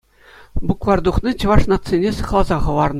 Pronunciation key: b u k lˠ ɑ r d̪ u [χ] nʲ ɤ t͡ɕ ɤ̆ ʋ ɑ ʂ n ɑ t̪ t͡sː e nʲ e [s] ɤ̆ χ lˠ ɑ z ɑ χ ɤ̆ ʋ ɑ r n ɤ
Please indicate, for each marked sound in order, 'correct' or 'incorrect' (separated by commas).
correct, correct